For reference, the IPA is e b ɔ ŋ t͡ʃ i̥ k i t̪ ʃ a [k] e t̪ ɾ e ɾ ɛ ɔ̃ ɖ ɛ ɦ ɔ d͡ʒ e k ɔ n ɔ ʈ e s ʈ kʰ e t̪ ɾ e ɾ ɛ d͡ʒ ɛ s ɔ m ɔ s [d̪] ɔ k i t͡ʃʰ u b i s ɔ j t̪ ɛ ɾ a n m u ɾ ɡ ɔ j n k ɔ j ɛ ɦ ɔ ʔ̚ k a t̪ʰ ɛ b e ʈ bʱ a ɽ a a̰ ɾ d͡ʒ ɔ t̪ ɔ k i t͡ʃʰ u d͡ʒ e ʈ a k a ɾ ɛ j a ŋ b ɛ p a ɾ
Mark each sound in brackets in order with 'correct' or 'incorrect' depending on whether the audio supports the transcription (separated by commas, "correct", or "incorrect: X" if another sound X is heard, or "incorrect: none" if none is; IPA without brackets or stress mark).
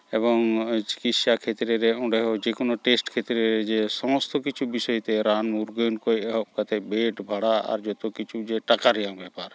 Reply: incorrect: kʰ, incorrect: t̪